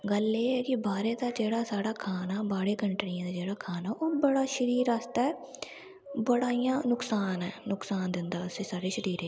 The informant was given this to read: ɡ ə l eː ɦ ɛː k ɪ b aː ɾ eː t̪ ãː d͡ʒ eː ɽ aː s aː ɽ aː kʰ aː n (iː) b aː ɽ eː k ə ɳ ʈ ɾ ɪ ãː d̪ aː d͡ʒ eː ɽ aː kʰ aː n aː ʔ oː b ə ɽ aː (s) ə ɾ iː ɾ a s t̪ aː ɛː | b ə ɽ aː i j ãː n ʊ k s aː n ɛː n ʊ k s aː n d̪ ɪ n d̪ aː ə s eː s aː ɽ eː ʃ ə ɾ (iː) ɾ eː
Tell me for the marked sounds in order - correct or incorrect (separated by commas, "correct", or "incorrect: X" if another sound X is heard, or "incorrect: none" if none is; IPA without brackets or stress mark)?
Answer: incorrect: aː, incorrect: ʃ, correct